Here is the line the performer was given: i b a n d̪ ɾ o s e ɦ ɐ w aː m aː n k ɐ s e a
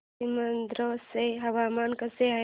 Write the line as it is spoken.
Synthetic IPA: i m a n d̪ ɾ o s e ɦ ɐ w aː m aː n k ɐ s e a